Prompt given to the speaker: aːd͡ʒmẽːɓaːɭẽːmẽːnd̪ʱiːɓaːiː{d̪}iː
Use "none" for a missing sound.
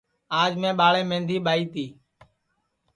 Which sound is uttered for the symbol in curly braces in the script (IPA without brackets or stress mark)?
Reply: t̪